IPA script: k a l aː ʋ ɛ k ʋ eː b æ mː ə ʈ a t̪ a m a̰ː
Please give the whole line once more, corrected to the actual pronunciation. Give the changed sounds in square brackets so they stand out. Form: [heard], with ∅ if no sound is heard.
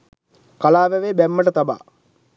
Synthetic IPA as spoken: k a l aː ʋ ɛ [∅] ʋ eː b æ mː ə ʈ [ə] t̪ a [b] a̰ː